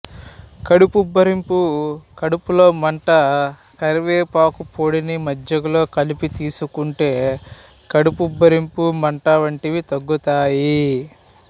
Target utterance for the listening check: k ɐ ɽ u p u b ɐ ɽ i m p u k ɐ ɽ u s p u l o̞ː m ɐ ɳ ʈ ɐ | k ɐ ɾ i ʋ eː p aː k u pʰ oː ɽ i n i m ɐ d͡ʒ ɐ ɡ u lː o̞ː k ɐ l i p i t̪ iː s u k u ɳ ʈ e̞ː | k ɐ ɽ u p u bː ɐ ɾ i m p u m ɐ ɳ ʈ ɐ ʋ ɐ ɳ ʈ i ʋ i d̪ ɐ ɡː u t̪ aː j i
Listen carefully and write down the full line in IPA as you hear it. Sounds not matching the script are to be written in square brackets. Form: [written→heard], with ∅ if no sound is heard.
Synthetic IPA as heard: k ɐ ɽ u p u b ɐ [ɽ→ɾ] i m p u k ɐ ɽ u [s→∅] p u l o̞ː m ɐ ɳ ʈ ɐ | k ɐ ɾ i ʋ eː p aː k u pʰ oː ɽ i n i m ɐ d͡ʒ ɐ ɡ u [lː→l] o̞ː k ɐ l i p i t̪ iː s u k u ɳ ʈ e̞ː | k ɐ ɽ u p u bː ɐ ɾ i m p u m ɐ ɳ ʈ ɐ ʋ ɐ ɳ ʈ i ʋ i [d̪→t̪] ɐ ɡː u t̪ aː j i